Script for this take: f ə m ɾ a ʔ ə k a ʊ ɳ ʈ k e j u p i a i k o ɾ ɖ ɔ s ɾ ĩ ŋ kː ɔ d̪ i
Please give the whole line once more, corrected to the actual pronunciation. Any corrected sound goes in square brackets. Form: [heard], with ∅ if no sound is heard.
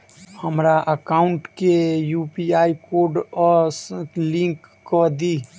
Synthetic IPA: [h] ə m ɾ a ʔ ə k a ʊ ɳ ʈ k e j u p i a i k o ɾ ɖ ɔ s [l] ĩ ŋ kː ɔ d̪ i